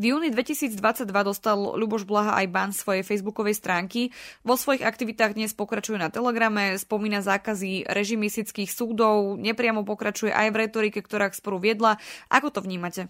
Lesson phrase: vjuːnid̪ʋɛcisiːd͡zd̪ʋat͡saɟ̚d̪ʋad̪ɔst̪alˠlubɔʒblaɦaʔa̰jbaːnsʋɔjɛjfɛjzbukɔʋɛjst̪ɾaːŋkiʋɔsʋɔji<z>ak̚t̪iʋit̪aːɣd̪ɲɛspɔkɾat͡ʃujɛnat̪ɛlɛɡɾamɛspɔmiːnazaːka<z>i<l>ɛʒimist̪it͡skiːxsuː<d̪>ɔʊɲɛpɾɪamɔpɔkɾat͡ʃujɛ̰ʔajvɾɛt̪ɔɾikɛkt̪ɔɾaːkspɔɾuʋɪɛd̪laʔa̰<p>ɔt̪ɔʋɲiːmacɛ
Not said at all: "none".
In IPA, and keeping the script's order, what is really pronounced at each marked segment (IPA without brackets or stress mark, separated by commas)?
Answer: ɣ, z, ɾ, d̪, k